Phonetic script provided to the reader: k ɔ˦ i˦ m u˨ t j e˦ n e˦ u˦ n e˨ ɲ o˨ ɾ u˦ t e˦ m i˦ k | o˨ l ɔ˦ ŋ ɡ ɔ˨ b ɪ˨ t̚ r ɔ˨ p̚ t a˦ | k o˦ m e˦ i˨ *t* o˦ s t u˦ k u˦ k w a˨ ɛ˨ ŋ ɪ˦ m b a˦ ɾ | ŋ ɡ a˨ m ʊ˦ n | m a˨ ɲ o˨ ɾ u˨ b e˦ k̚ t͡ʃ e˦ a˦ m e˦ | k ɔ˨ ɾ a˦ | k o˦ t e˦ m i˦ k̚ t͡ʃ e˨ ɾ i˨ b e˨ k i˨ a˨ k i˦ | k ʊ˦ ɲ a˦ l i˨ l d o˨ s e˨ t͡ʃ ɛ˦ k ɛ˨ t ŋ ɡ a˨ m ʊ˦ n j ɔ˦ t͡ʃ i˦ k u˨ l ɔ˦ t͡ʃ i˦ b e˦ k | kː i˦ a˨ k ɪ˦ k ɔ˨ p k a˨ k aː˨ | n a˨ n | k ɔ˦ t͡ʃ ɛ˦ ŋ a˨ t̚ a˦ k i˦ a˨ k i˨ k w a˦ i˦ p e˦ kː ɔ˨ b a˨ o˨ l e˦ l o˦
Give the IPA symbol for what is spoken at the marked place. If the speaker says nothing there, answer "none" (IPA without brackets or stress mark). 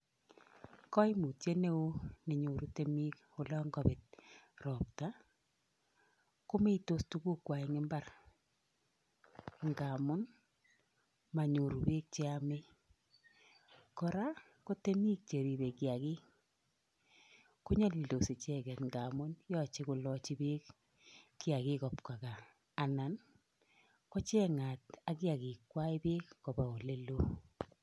t